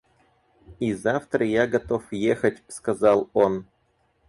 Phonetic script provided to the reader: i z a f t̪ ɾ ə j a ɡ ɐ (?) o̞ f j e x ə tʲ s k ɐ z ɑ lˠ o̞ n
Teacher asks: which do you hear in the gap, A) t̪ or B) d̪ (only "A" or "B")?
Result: A